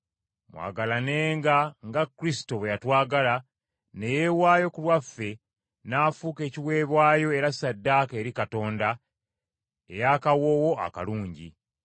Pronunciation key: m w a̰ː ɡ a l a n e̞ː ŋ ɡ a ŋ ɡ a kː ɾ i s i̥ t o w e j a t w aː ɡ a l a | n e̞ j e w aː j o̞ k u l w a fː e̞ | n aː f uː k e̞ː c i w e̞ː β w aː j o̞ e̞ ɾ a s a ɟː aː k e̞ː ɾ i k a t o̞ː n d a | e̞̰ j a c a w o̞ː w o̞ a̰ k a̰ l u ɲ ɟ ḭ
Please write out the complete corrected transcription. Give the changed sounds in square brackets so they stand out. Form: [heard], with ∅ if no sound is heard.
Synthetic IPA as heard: m w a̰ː ɡ a l a n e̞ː ŋ ɡ a ŋ ɡ a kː ɾ i s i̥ t o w e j a t w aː ɡ a l a | n e̞ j e w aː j o̞ k u l w a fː e̞ | n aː f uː k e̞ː c i w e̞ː β w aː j o̞ e̞ ɾ a s a [dː] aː k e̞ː ɾ i k a t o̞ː n d a | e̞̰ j a [k] a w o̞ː w o̞ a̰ k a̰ l [uː] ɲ ɟ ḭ